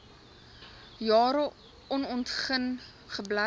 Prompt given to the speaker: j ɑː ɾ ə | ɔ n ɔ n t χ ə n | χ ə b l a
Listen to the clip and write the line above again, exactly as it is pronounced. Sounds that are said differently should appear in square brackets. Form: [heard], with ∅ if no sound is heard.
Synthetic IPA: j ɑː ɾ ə | ɔ n ɔ n t χ ə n | χ ə b l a